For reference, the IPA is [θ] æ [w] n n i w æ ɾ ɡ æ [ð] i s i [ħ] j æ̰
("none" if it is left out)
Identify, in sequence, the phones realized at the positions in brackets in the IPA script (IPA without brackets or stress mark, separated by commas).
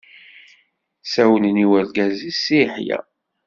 s, w, z, ħ